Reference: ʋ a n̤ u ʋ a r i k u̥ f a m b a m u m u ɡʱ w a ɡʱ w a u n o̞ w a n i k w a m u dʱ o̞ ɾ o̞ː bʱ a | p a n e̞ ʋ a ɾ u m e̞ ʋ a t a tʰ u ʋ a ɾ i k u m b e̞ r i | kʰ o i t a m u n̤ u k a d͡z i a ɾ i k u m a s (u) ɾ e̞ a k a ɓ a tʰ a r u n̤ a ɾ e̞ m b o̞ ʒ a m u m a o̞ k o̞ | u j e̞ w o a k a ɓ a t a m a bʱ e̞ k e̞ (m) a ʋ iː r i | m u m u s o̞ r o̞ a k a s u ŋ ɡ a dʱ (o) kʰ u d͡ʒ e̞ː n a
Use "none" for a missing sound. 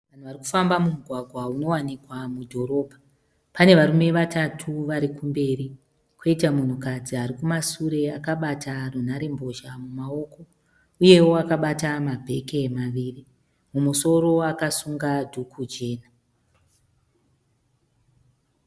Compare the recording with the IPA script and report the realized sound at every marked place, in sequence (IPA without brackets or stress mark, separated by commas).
u, m, u